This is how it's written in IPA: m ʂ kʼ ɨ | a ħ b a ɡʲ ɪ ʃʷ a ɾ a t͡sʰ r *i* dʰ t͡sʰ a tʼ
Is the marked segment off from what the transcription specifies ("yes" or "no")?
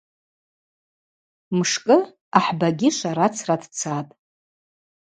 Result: yes